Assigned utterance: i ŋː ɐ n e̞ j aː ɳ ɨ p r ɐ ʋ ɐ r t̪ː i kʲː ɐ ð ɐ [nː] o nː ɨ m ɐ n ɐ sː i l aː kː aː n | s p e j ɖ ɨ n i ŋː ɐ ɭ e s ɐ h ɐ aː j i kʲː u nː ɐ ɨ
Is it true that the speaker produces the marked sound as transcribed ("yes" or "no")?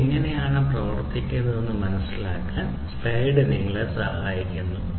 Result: no